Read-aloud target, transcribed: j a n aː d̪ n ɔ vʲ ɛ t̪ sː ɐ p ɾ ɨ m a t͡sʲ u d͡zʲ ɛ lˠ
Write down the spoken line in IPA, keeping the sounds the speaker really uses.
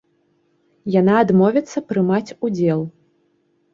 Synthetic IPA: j a n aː d̪ m ɔ vʲ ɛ t̪ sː ɐ p ɾ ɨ m a t͡sʲ u d͡zʲ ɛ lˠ